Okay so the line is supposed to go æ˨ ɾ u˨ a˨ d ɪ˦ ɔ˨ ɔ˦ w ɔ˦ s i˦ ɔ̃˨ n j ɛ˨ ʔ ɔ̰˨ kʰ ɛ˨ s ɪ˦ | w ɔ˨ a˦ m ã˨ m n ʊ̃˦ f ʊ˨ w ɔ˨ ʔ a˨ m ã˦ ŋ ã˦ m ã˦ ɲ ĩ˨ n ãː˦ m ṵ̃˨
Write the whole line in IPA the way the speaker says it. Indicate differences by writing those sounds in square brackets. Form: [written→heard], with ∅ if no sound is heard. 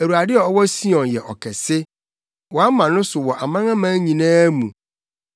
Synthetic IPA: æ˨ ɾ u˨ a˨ d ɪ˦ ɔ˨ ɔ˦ w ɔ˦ s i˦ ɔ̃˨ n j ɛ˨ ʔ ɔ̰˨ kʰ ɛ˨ s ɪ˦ | w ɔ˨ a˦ m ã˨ [m→∅] n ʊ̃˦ [f→s] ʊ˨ w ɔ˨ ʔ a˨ m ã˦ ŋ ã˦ m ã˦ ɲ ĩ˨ n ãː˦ m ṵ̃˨

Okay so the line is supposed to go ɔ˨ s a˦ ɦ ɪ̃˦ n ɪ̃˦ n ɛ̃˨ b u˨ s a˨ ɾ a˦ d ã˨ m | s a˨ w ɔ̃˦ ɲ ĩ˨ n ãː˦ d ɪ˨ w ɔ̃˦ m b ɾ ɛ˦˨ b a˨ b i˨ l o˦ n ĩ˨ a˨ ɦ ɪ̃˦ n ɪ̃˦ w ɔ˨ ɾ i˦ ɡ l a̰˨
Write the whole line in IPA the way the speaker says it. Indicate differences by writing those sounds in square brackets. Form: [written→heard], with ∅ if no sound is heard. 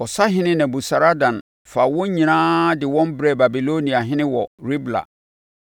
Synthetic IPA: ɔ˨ s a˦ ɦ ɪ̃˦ n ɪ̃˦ n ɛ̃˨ b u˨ s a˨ ɾ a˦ d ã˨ [m→n] | [s→f] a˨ w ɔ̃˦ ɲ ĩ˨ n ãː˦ d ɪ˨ w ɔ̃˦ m b ɾ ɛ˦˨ b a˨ b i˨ l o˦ n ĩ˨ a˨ ɦ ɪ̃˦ n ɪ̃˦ w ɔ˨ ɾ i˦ [ɡ→b] l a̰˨

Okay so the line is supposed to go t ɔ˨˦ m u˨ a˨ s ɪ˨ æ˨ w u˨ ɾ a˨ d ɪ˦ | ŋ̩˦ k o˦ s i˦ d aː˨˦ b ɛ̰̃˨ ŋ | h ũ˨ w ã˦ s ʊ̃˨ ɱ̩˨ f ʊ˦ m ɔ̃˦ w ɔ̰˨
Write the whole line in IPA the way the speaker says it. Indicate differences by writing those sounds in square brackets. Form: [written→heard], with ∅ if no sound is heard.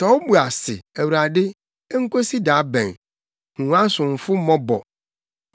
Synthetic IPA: t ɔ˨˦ [m→b] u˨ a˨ s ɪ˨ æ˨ w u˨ ɾ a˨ d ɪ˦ | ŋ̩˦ k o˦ s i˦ d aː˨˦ b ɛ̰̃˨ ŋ | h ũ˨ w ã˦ s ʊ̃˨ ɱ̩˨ f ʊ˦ m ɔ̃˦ [w→b] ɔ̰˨

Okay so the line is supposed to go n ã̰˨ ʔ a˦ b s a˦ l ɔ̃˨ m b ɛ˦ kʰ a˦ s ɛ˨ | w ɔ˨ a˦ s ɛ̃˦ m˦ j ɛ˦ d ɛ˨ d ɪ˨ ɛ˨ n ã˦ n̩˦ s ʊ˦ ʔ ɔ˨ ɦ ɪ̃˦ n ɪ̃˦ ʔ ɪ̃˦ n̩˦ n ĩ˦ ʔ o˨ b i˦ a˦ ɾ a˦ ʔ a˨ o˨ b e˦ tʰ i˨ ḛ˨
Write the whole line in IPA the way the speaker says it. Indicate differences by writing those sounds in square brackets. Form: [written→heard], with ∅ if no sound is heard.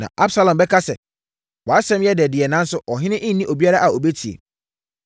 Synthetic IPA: n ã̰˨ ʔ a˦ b s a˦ l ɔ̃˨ m b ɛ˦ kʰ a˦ s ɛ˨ | w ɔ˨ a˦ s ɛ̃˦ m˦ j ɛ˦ d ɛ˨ d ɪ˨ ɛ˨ n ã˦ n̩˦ s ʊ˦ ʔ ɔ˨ ɦ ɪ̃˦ n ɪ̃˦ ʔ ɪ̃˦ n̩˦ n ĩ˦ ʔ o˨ b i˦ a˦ ɾ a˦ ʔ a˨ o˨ b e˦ tʰ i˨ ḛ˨

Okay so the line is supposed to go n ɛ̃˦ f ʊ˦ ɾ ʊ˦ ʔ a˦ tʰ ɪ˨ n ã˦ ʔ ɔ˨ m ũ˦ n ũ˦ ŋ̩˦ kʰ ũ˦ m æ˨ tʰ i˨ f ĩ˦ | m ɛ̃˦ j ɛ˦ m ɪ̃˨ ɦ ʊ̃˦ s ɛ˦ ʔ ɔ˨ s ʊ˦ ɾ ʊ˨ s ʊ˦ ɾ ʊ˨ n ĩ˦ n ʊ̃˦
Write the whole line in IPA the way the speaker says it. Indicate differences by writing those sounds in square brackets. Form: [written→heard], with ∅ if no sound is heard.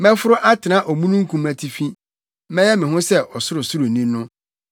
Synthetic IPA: [n→m] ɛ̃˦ f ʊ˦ ɾ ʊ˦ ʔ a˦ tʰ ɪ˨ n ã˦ ʔ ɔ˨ m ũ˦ n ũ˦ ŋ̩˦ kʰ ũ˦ m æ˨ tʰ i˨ f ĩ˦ | m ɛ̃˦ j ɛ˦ m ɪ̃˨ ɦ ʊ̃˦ s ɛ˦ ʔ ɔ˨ s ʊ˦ ɾ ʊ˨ s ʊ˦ ɾ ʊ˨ n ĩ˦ n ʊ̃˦

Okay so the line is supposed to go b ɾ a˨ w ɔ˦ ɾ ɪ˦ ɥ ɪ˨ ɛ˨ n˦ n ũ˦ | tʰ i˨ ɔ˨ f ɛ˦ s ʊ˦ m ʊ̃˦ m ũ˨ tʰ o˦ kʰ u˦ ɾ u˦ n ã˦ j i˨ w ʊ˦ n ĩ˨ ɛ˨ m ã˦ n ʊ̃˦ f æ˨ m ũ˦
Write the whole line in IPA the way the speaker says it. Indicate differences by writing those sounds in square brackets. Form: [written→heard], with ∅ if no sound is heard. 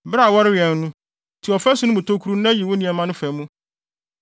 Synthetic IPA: b ɾ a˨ w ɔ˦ ɾ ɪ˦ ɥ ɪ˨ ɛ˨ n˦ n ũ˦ | tʰ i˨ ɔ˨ f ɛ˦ s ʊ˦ [m→n] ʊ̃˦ m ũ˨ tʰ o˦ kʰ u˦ ɾ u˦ n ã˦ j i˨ w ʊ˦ n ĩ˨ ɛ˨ m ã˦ n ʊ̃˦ f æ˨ m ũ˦

